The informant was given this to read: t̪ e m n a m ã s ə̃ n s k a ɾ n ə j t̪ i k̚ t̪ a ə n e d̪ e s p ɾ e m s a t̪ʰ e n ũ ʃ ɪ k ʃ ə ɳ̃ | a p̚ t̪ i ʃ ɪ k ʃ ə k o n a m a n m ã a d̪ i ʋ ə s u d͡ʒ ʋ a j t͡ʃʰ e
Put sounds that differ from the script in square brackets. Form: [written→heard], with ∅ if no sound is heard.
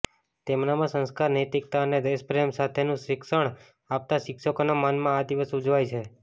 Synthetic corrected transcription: t̪ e m n a m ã s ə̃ n s k a ɾ n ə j t̪ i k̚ t̪ a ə n e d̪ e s p ɾ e m s a t̪ʰ e n ũ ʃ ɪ k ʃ ə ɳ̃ | a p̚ t̪ [i→a] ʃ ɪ k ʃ ə k o n a m a n m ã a d̪ i ʋ ə s u d͡ʒ ʋ a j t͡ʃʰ e